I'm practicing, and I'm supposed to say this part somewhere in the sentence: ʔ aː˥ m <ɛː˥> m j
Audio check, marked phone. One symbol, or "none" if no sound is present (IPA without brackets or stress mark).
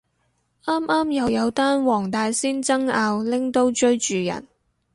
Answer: aː˥